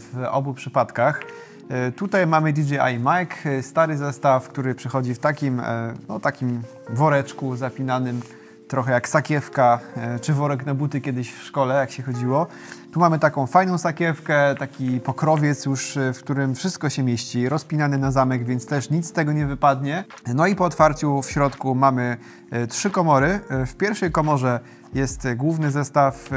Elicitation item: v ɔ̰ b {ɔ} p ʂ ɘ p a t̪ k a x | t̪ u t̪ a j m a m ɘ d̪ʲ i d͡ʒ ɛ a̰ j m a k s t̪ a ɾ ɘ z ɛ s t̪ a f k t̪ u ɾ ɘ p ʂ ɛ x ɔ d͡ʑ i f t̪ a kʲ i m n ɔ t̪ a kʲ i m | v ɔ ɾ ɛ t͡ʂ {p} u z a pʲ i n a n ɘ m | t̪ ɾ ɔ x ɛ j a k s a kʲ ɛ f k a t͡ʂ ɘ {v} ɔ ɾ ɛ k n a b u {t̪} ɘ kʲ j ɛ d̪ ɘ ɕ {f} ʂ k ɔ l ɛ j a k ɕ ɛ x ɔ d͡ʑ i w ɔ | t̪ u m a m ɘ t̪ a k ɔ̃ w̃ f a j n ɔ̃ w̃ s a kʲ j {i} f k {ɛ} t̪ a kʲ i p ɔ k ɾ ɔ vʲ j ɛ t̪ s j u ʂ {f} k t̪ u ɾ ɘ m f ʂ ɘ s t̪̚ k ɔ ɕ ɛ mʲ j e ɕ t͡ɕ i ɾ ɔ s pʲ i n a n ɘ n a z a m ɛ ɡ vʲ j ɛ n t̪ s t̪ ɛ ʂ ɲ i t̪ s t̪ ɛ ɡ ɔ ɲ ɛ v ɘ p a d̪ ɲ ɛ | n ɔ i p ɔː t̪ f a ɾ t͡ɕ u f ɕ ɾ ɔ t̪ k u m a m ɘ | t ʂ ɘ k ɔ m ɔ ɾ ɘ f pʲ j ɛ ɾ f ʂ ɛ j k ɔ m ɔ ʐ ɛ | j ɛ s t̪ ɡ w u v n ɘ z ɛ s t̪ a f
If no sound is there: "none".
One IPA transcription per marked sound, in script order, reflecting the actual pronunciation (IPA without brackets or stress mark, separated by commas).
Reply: u, k, v, t̪, f, ɛ, ɛ, f